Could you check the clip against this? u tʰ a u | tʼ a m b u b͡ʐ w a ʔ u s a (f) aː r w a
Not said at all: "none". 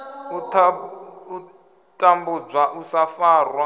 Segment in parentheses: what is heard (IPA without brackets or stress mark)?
f